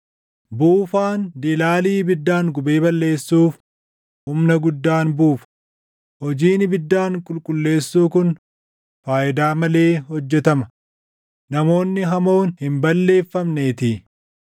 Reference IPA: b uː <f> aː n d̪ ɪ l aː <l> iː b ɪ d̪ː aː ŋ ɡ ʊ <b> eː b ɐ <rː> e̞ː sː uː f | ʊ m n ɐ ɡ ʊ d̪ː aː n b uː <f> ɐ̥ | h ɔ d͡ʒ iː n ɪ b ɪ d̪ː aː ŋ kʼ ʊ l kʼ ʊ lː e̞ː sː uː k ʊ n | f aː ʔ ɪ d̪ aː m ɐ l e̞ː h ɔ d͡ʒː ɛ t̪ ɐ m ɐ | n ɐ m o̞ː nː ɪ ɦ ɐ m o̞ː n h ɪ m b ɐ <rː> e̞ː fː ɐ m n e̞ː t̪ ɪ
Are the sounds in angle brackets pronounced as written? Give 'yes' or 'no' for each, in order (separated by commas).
yes, yes, yes, no, yes, no